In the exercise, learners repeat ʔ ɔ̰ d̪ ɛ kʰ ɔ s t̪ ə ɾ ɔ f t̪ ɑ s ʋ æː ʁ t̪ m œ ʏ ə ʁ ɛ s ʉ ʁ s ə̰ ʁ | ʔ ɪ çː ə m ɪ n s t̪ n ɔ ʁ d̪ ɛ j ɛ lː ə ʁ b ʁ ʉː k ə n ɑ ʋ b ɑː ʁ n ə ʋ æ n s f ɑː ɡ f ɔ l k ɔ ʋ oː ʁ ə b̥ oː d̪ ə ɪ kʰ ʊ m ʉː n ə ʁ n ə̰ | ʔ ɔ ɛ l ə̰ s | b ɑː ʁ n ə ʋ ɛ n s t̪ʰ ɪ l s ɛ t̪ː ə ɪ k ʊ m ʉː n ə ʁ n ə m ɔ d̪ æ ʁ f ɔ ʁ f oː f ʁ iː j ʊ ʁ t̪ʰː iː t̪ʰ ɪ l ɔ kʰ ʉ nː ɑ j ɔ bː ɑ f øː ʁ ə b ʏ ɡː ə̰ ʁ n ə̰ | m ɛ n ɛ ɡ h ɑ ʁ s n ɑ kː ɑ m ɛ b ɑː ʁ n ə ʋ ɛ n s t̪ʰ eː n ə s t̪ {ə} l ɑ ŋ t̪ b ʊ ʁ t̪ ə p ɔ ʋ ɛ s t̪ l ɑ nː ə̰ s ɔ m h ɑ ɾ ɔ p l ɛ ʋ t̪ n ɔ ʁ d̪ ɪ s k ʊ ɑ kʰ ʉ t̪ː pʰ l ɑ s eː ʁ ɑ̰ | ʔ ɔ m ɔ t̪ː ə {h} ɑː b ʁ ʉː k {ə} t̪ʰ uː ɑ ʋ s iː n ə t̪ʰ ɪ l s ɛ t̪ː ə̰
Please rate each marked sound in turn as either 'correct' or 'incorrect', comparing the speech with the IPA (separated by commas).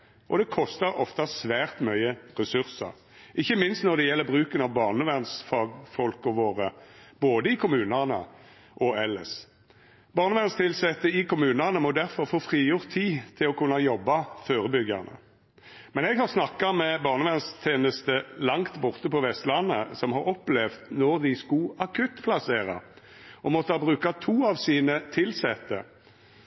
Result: correct, correct, incorrect